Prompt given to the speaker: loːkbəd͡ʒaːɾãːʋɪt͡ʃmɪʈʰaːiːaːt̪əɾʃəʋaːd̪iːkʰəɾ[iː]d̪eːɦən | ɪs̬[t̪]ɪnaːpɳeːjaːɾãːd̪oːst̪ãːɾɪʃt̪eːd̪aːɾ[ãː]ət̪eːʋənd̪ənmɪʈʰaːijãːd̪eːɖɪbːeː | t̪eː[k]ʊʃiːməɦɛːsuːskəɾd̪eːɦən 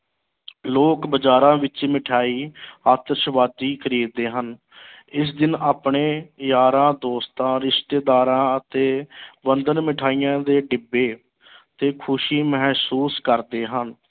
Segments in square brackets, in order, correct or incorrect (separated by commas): correct, incorrect, correct, incorrect